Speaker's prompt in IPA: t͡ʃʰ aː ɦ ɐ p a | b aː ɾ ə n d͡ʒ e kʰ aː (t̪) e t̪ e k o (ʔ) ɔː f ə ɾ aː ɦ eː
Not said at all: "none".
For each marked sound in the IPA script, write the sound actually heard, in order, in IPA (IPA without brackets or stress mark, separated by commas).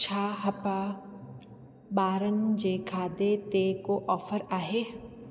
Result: d̪, ʔ